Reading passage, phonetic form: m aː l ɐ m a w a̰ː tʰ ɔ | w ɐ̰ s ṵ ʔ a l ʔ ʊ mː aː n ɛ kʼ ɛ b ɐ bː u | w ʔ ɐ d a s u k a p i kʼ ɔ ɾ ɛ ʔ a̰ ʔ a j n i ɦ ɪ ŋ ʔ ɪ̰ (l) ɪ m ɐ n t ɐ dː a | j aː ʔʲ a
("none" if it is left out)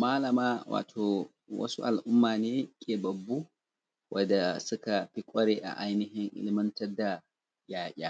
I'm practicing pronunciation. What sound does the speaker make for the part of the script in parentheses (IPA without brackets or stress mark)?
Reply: l